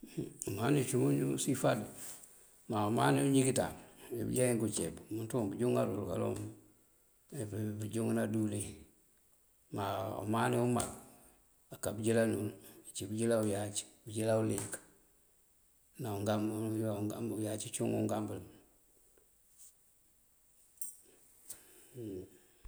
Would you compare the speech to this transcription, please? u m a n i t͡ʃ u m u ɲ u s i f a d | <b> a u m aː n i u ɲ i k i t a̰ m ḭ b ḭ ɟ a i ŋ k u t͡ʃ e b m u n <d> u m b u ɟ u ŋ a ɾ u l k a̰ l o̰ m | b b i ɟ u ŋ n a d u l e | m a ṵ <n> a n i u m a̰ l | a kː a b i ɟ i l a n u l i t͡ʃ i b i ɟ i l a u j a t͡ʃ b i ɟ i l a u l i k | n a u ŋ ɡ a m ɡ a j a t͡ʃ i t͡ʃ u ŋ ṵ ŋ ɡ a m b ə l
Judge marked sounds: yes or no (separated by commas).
no, no, no